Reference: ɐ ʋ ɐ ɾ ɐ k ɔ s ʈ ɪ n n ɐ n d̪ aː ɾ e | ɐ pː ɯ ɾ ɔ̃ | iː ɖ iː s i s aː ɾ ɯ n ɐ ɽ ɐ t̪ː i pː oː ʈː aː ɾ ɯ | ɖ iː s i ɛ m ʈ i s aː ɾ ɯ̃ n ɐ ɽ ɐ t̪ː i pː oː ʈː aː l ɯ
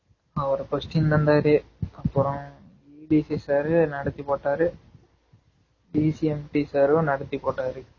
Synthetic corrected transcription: ɐ ʋ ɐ ɾ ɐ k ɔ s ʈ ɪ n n ɐ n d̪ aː ɾ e | ɐ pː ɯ ɾ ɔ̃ | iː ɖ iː s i s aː ɾ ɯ n ɐ ɽ ɐ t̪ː i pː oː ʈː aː ɾ ɯ | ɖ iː s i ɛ m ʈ i s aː ɾ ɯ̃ n ɐ ɽ ɐ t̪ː i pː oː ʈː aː ɾ ɯ